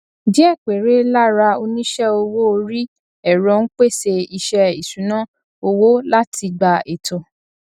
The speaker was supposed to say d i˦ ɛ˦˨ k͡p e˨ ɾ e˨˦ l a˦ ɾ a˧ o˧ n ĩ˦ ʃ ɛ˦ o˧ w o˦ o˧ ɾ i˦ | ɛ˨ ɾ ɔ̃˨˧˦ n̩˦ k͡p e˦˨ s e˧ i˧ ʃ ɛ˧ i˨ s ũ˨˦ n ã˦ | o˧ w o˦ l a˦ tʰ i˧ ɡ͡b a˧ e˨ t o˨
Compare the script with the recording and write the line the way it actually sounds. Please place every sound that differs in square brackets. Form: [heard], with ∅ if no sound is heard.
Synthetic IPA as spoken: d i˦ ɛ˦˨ k͡p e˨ ɾ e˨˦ l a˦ ɾ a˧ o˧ n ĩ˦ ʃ ɛ˦ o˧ w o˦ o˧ ɾ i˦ | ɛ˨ ɾ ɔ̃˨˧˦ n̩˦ k͡p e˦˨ s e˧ i˧ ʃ ɛ˧ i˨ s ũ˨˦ n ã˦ | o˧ w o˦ l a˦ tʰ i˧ ɡ͡b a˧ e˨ t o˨